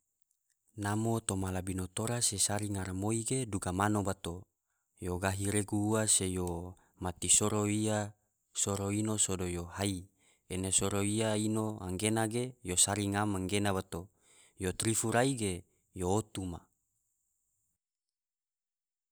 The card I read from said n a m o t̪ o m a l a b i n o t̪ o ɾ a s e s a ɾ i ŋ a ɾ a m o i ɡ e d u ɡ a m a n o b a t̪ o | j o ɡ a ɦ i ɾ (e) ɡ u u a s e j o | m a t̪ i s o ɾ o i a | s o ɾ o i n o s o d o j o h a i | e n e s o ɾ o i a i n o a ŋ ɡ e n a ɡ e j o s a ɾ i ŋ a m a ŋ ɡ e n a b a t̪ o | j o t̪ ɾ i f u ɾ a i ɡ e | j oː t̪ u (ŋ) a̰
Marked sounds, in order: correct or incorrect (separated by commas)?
correct, incorrect